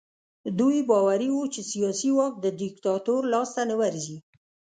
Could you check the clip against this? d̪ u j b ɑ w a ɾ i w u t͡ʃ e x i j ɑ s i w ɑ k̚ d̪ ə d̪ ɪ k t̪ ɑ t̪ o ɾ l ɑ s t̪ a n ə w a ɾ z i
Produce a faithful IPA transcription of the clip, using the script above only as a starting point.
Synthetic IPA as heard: d̪ u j b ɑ w a ɾ i w u t͡ʃ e s i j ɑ s i w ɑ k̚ d̪ ə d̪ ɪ k t̪ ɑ t̪ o ɾ l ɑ s t̪ a n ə w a ɾ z i